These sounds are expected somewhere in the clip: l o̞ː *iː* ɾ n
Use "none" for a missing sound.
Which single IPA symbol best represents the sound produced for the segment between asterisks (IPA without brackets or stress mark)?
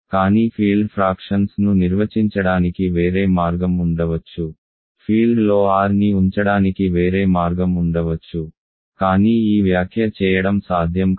aː